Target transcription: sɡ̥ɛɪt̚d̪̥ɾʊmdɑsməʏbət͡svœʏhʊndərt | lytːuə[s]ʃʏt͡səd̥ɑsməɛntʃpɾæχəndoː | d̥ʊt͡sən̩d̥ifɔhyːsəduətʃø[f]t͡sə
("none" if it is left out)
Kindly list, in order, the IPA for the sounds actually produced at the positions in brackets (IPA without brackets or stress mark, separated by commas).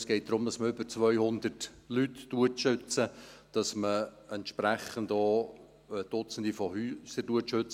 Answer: t, none